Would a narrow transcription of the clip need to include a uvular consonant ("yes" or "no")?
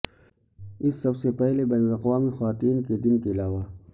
yes